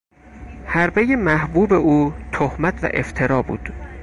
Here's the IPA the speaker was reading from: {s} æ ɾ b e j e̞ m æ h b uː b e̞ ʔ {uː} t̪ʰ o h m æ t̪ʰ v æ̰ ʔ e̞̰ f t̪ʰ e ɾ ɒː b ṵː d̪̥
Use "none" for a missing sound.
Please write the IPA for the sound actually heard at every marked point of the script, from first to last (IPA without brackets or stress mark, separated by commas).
h, uː